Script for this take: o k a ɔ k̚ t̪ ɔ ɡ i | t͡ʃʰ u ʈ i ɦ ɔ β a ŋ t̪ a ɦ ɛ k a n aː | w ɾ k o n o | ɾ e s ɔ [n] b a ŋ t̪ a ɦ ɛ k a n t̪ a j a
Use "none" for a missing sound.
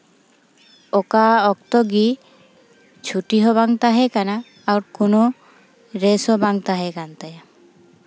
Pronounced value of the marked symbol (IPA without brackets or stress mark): none